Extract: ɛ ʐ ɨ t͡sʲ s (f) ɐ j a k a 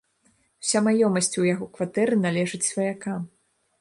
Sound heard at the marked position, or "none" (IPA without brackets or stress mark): v